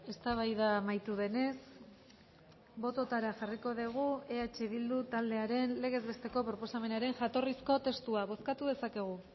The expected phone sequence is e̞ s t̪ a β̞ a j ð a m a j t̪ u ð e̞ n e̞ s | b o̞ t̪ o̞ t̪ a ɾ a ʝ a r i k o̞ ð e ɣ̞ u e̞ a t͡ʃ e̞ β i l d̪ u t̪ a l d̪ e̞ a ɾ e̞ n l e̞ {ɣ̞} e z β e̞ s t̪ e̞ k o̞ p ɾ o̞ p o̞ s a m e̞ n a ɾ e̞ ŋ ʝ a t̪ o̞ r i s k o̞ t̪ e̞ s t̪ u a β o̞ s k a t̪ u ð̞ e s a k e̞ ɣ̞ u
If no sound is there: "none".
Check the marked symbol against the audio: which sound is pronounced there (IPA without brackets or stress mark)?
ɣ̞